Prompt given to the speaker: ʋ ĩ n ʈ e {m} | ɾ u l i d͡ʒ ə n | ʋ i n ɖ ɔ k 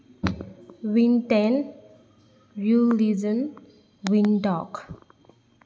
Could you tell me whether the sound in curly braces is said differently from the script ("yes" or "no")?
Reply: yes